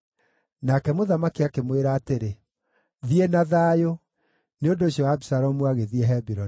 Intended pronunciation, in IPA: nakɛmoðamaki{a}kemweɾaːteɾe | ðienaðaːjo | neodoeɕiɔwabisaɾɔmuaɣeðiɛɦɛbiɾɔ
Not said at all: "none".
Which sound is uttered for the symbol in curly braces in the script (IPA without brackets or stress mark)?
a